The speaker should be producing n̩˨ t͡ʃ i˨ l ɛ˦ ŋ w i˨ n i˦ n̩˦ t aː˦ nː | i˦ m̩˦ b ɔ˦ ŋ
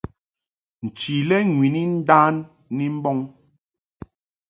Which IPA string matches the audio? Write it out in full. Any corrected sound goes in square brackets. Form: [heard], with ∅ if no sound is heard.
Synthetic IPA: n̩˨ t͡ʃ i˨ l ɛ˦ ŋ w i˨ n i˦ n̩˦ [d] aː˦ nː | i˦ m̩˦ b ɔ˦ ŋ